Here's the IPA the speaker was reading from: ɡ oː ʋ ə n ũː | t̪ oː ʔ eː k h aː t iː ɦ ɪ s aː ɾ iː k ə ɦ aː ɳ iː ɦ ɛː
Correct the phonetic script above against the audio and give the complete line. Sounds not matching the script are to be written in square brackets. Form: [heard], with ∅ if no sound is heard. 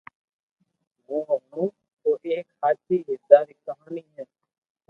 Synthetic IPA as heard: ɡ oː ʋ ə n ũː | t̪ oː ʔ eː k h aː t iː ɦ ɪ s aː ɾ iː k ə ɦ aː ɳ iː ɦ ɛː